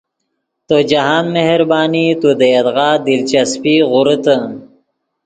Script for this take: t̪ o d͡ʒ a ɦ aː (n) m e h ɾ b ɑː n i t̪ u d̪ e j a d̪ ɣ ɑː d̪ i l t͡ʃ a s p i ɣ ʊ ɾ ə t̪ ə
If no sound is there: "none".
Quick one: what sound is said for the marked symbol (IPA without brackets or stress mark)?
n